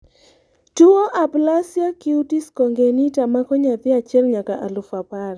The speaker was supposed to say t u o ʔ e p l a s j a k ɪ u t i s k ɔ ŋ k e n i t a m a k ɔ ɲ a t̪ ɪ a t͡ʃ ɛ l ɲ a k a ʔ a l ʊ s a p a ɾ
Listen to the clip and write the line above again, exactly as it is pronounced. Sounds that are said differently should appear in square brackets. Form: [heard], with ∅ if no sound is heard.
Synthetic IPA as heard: t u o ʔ [a] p l a s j a k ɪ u t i s k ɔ ŋ [ɡ] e n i t a m a k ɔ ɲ a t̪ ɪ a t͡ʃ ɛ l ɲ a k a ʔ a l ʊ [f] a p a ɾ